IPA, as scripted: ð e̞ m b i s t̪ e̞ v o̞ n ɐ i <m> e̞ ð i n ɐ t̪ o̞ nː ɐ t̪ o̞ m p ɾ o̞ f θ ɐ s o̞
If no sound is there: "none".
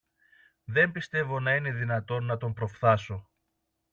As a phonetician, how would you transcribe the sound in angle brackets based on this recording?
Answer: n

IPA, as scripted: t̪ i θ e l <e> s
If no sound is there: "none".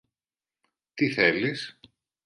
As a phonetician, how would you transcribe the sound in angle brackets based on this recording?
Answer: i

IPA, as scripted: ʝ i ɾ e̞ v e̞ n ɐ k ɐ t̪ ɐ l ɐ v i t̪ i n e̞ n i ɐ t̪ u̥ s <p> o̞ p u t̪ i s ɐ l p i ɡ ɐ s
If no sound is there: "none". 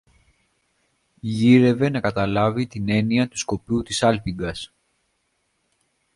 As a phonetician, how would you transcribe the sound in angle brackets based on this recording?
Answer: k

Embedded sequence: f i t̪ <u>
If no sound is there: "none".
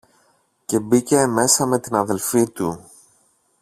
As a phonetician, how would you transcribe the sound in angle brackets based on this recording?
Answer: u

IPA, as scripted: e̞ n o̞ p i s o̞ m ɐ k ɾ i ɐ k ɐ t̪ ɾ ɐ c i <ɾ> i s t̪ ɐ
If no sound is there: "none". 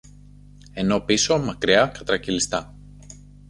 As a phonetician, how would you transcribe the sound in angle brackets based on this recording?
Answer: l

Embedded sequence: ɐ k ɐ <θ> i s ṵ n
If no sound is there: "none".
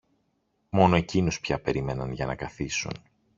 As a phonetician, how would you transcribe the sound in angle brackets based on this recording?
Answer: θ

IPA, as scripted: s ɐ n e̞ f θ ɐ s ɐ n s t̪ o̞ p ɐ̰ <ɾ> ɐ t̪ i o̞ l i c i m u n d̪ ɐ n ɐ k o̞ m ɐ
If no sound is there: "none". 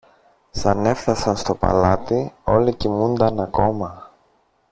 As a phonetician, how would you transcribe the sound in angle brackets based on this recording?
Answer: l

